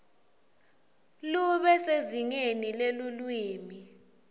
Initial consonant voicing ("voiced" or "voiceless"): voiced